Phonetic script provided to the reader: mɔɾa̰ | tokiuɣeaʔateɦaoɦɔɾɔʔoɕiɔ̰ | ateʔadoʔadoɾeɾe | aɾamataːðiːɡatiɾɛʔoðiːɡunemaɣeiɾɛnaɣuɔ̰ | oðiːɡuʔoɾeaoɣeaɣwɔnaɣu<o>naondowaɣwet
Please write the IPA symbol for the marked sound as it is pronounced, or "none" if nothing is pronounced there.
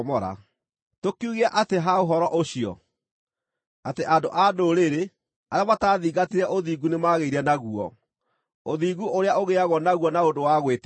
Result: ɔ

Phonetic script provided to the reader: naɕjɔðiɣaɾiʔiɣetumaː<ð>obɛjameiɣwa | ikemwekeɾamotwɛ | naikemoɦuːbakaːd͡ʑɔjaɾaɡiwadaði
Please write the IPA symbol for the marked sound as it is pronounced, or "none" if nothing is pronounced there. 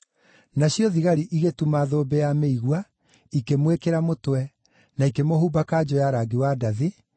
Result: ð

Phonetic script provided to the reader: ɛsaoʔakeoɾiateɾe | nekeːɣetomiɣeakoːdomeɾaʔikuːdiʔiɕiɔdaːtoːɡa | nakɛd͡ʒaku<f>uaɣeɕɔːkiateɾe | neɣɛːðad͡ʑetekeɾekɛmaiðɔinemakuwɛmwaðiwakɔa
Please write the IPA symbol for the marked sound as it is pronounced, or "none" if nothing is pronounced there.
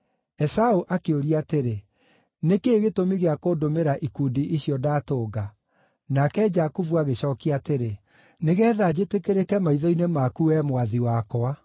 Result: v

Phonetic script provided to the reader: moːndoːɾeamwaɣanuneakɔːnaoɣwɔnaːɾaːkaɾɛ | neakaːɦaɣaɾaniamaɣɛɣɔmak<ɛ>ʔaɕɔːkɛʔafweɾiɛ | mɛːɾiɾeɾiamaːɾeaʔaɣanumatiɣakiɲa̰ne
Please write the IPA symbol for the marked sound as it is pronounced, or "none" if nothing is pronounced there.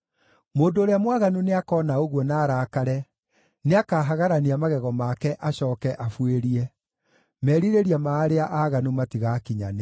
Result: ɛ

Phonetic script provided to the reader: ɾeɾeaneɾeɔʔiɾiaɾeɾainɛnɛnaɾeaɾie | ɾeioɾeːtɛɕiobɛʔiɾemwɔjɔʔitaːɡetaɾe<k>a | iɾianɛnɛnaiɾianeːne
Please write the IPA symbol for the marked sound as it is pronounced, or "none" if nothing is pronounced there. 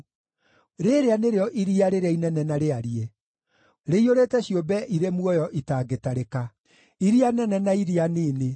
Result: k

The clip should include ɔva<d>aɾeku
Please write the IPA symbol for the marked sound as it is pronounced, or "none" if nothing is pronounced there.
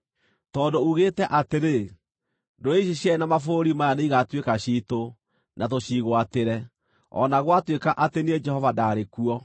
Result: d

